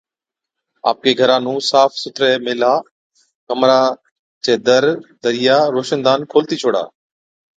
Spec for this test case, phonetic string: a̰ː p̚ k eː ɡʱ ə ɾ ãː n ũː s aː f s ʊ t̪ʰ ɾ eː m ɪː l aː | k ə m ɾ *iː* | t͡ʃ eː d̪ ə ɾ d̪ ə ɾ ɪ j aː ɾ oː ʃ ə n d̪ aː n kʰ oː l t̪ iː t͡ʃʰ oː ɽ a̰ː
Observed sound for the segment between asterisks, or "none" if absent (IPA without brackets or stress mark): aː